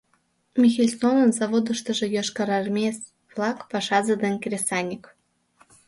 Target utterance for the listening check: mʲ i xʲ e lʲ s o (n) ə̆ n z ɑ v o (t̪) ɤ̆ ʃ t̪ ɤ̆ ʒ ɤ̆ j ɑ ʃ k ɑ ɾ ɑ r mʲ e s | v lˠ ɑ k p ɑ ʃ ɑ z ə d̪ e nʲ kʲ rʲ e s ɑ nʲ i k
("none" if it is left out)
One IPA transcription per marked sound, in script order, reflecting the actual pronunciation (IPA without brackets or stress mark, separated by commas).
n, d̪